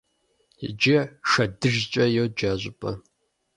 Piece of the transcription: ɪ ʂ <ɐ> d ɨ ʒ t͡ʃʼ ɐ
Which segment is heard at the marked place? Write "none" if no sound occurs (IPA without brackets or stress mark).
ɐ